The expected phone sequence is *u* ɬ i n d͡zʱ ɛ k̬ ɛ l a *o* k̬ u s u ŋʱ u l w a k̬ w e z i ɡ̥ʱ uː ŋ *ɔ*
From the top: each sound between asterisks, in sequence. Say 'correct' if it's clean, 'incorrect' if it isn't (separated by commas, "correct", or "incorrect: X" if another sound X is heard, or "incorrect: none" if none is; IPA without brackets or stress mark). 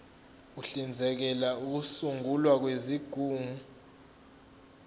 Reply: correct, incorrect: u, incorrect: u